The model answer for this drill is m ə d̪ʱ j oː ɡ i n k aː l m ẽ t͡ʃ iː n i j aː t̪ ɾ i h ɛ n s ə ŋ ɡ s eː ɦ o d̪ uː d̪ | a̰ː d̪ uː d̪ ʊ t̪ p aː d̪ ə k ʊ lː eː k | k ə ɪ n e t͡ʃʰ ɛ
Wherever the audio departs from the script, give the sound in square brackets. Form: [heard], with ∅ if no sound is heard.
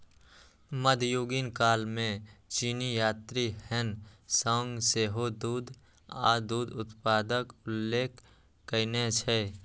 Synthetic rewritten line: m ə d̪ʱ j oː ɡ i n k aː l m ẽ t͡ʃ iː n i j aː t̪ ɾ i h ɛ n s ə ŋ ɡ s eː ɦ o d̪ uː d̪ | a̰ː d̪ uː d̪ ʊ t̪ p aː d̪ ə k ʊ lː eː k | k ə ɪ n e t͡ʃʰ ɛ